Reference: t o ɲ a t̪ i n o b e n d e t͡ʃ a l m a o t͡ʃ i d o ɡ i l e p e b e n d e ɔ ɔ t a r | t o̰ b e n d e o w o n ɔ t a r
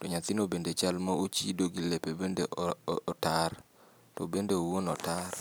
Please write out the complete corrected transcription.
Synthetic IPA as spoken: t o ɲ a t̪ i n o b e n d e t͡ʃ a l m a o t͡ʃ i d o ɡ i l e p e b e n d e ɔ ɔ t a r | t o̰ b e n d e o w o n ɔ t a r

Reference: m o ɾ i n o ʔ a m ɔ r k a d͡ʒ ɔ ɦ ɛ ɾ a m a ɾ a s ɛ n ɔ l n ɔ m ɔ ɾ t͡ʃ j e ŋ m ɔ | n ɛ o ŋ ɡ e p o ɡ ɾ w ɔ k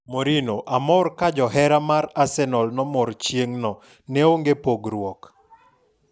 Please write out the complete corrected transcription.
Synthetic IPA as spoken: m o ɾ i n o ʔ a m ɔ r k a d͡ʒ ɔ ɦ ɛ ɾ a m a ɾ a s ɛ n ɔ l n ɔ m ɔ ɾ t͡ʃ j e ŋ n ɔ | n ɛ o ŋ ɡ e p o ɡ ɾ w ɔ k

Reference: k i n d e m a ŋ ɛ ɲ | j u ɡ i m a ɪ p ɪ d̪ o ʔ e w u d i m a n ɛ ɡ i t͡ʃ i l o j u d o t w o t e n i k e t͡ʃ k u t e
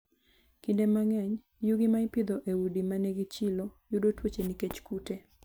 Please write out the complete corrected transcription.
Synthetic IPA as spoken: k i n d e m a ŋ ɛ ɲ | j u ɡ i m a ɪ p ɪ d̪ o ʔ e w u d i m a n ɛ ɡ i t͡ʃ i l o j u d o t w o t͡ʃ e n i k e t͡ʃ k u t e

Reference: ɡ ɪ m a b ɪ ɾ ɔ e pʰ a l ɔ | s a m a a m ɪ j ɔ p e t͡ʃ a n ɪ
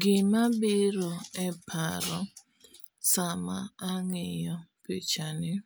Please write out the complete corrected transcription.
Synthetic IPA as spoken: ɡ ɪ m a b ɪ ɾ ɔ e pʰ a ɾ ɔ | s a m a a ŋ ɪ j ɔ p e t͡ʃ a n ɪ

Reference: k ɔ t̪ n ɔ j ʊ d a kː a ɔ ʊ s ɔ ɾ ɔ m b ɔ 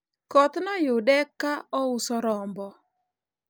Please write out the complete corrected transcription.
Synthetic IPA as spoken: k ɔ t̪ n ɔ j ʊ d ɛ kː a ɔ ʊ s ɔ ɾ ɔ m b ɔ

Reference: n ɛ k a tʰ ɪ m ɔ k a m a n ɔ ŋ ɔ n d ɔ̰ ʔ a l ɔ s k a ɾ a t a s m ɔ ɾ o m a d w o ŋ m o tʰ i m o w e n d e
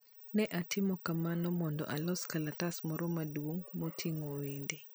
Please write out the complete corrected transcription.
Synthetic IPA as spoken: n ɛ ʔ a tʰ ɪ m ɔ k a m a n ɔ m ɔ n d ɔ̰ ʔ a l ɔ s k a l a t a s m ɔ ɾ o m a d w o ŋ m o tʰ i ŋ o w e n d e

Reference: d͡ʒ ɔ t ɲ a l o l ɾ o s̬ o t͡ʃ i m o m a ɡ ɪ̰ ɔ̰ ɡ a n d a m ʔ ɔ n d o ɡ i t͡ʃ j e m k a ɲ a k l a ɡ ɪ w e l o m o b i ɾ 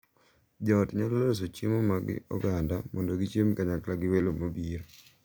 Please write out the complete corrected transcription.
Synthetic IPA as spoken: d͡ʒ ɔ t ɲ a l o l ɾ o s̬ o t͡ʃ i m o m a ɡ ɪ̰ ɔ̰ ɡ a n d a m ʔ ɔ n d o ɡ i t͡ʃ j e m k a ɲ a k l a ɡ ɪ w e l o m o b i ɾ

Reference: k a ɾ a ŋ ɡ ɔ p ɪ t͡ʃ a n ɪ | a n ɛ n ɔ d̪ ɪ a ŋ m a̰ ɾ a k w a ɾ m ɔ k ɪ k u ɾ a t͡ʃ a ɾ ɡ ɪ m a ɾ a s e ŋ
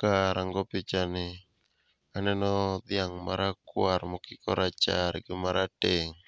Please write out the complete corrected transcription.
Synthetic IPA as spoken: k a ɾ a ŋ ɡ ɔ p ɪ t͡ʃ a n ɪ | a n ɛ n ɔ d̪ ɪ a ŋ m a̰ ɾ a k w a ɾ m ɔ k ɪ k ɔ ɾ a t͡ʃ a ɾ ɡ ɪ m a ɾ a t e ŋ

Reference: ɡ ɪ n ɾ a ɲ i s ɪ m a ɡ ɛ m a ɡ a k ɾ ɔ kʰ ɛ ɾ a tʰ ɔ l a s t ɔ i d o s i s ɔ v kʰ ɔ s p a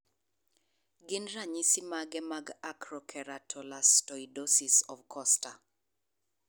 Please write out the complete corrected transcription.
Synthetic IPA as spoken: ɡ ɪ n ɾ a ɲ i s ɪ m a ɡ ɛ m a ɡ a k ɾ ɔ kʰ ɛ ɾ a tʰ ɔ l a s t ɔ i d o s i s ɔ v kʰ ɔ s t a

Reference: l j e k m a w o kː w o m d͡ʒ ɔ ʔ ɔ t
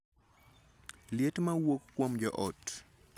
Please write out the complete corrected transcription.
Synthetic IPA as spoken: l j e t m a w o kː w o m d͡ʒ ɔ ʔ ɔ t

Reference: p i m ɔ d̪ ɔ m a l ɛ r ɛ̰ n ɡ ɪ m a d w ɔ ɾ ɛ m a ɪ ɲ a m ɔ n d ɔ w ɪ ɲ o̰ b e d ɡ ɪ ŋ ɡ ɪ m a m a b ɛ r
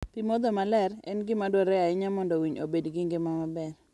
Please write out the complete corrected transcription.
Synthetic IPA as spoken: p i m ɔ d̪ ɔ m a l ɛ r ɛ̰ n ɡ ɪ m a d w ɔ ɾ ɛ a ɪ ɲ a m ɔ n d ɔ w i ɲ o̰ b e d ɡ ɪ ŋ ɡ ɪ m a m a b ɛ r

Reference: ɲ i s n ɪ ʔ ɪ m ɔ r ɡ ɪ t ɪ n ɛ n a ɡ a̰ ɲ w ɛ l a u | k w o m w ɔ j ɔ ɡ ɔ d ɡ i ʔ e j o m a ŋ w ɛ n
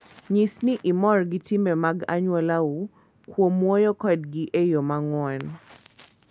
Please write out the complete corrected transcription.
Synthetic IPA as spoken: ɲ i s n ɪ ʔ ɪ m ɔ r ɡ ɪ t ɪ m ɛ m a ɡ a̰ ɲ w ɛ l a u | k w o m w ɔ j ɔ k ɔ d ɡ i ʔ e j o m a ŋ w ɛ n

